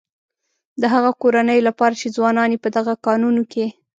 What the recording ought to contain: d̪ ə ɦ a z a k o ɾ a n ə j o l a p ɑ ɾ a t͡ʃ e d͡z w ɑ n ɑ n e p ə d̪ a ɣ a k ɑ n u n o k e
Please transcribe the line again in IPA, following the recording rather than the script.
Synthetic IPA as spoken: d̪ ə ɦ a ɣ a k o ɾ a n ə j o l a p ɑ ɾ a t͡ʃ e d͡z w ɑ n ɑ n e p ə d̪ a ɣ a k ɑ n u n o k e

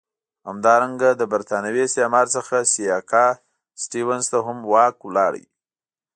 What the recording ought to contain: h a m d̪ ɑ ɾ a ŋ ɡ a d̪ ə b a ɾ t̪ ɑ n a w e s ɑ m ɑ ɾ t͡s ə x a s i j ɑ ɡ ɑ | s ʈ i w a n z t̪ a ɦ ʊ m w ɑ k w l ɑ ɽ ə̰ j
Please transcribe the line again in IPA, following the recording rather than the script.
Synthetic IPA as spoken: h a m d̪ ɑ ɾ a ŋ ɡ a d̪ ə b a ɾ t̪ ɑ n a w e s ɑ m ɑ ɾ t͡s ə x a s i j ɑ k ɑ | s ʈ i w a n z t̪ a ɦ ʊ m w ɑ k w l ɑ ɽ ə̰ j

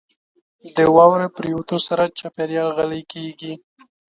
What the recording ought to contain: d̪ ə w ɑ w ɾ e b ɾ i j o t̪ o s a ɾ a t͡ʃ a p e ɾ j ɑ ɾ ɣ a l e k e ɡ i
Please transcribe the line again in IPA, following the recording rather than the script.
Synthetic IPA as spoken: d̪ ə w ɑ w ɾ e p ɾ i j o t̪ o s a ɾ a t͡ʃ a p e ɾ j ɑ l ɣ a l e k e ɡ i

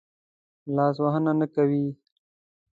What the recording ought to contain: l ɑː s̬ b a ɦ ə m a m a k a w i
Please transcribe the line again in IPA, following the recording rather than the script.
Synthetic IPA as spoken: l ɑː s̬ w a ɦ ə n a n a k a w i

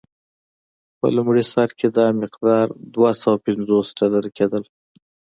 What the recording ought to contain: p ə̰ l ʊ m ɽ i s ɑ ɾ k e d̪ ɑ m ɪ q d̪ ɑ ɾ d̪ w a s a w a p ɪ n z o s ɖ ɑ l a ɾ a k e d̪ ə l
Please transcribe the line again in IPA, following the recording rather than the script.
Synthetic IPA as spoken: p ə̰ l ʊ m ɽ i s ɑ ɾ k e d̪ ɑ m ɪ q d̪ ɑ ɾ d̪ w a s a w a p ɪ n z o s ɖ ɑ l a ɾ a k e d̪ ə l

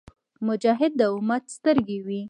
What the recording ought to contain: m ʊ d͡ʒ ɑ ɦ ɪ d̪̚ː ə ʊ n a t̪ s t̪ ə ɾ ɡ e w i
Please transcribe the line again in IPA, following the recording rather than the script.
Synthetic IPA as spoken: m ʊ d͡ʒ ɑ ɦ ɪ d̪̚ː ə ʊ m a t̪ s t̪ ə ɾ ɡ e w i

